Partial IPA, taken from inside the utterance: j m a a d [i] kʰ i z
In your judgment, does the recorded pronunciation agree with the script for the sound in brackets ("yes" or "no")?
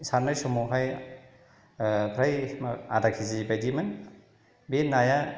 no